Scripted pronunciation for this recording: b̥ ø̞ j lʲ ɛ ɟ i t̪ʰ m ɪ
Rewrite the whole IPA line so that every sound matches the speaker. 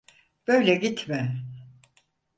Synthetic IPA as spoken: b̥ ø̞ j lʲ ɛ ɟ i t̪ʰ m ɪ